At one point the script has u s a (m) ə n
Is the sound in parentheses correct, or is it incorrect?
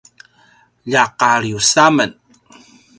correct